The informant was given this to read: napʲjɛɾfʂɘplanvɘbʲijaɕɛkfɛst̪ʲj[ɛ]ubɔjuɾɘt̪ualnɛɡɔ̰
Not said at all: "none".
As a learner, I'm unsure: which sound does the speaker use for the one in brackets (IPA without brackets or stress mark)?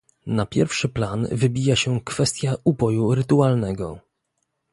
a